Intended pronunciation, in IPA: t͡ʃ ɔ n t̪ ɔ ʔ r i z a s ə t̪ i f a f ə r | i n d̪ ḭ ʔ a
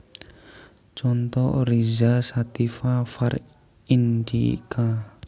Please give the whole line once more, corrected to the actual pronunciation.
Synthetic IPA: t͡ʃ ɔ n t̪ ɔ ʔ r i z a s a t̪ i f a f a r | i n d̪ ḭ k a

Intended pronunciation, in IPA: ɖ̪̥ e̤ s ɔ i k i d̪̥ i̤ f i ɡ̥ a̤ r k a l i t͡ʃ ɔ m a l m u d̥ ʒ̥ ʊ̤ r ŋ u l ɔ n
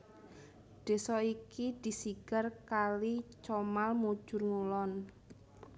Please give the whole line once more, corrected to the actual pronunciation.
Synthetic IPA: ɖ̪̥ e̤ s ɔ i k i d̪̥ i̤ s i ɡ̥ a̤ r k a l i t͡ʃ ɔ m a l m u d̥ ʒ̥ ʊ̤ r ŋ u l ɔ n

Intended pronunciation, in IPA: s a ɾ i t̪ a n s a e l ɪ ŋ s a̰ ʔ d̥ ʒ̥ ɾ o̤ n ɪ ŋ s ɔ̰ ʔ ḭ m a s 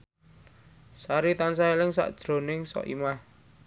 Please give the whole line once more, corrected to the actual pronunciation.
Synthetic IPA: s a ɾ i t̪ a n s a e l ɪ ŋ s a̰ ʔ d̥ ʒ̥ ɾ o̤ n ɪ ŋ s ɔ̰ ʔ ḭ m a h

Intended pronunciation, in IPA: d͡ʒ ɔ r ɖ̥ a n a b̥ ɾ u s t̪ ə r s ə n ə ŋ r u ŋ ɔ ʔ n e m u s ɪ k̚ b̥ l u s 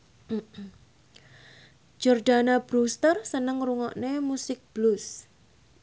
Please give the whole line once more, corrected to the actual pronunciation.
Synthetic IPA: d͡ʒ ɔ r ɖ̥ a n a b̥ ɾ u s t̪ ə r s ə n ə ŋ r u ŋ ɔ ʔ n e m u s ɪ k̚ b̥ l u s

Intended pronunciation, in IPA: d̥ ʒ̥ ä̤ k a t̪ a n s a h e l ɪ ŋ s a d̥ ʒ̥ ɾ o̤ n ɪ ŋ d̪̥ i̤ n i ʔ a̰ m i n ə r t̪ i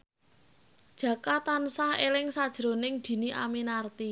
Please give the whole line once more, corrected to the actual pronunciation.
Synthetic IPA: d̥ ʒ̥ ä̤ k a t̪ a n s a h e l ɪ ŋ s a d̥ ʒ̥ ɾ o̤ n ɪ ŋ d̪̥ i̤ n i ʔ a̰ m i n a r t̪ i

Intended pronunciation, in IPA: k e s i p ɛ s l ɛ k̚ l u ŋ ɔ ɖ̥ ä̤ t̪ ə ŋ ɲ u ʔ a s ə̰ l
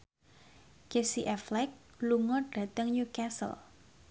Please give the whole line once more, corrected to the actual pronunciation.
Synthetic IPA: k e s i ʔ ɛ f l ɛ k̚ l u ŋ ɔ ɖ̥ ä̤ t̪ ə ŋ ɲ u k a s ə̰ l

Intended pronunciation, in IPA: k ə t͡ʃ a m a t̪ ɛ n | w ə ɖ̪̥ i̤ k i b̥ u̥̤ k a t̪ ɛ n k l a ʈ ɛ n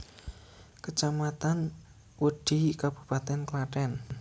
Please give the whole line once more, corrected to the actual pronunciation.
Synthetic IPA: k ə t͡ʃ a m a t̪ a n | w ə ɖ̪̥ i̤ k a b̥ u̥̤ p a t̪ ɛ n k l a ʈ ɛ n

